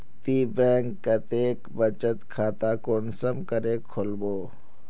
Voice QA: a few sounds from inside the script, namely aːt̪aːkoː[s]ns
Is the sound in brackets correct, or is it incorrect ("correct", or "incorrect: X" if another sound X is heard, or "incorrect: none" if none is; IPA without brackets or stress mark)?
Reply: incorrect: none